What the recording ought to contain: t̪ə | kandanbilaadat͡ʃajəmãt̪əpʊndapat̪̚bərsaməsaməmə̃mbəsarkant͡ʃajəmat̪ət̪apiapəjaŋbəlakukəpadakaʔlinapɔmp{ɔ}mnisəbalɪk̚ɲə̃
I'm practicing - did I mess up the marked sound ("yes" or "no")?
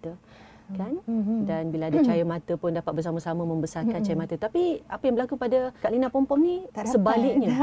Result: no